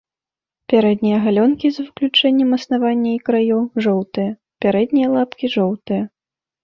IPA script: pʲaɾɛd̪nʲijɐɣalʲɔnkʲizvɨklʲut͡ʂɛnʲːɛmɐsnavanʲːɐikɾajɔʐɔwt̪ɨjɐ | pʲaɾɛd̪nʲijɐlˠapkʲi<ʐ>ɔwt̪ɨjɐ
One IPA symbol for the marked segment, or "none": ʐ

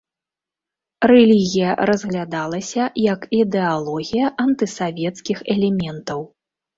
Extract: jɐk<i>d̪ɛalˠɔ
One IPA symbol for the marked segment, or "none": i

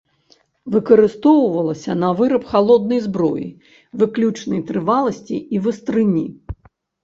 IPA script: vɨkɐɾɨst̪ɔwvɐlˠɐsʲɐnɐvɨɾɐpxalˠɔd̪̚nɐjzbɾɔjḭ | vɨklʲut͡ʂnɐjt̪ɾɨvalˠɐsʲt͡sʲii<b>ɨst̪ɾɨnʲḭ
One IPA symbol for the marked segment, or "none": v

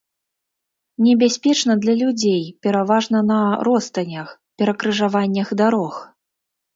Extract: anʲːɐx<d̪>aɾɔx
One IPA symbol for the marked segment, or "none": d̪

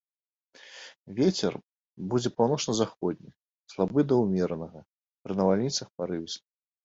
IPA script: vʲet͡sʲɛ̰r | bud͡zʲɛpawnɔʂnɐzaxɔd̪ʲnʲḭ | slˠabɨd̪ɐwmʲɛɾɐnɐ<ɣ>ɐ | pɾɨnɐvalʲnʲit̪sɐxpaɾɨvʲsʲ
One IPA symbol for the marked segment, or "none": ɣ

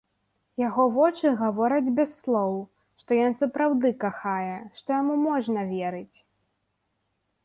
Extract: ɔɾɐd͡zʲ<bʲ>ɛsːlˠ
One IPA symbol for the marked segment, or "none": bʲ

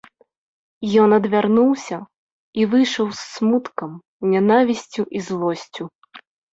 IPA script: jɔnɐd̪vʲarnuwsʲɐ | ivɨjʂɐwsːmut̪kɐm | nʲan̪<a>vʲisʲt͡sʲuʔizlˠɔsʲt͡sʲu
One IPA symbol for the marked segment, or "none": a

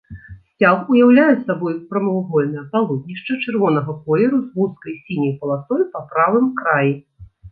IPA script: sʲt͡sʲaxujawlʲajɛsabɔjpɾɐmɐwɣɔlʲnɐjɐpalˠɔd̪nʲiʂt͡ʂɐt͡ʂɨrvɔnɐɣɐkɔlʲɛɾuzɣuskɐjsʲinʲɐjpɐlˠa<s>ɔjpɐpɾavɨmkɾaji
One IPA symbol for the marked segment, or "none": s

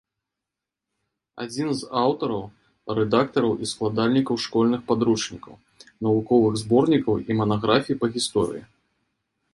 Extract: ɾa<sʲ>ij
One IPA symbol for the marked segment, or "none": fʲ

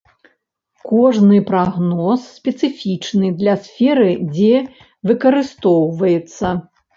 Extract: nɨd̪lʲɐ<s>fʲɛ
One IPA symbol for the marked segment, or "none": s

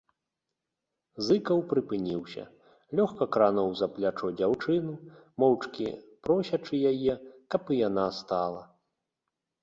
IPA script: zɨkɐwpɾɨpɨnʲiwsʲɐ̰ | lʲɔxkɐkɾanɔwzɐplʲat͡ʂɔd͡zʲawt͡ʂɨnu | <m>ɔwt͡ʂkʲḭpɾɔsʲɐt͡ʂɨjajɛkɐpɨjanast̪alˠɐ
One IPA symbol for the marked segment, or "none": m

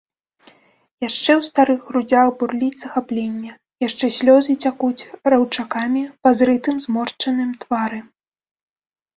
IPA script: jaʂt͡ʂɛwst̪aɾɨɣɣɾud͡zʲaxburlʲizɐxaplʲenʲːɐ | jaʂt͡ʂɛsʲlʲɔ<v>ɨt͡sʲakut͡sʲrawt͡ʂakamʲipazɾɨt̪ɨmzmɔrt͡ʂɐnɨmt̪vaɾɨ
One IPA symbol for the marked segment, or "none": z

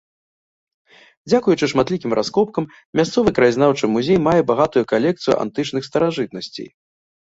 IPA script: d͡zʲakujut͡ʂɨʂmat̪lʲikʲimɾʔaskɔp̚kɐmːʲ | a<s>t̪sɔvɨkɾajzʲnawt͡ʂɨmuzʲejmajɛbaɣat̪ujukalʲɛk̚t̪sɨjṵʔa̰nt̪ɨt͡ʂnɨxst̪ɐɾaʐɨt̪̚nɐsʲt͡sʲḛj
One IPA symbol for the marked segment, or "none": s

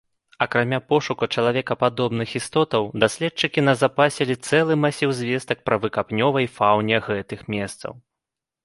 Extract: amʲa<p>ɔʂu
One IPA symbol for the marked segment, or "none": p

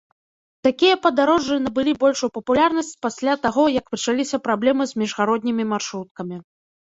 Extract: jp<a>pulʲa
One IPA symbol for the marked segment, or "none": ɐ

